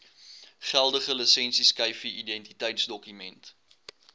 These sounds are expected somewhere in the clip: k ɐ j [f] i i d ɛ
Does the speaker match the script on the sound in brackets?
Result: yes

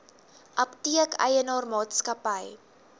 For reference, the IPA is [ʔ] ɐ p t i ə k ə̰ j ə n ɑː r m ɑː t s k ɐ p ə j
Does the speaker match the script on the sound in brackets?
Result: yes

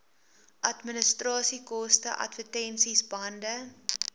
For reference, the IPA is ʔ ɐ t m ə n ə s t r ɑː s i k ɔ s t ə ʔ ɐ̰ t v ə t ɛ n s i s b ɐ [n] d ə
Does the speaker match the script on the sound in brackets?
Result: yes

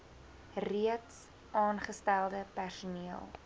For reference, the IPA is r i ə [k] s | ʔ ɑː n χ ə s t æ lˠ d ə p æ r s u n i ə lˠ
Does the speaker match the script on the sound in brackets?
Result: no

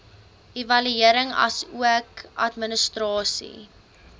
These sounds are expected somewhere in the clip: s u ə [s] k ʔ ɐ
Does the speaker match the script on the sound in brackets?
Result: no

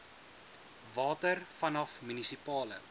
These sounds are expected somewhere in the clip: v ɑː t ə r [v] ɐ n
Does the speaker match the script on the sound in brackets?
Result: no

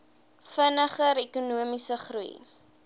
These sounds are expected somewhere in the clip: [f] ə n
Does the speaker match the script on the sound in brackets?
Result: yes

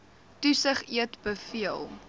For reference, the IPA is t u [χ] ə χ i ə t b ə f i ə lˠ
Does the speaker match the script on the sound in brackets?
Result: no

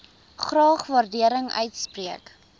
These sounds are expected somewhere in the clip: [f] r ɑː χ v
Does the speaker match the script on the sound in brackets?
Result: no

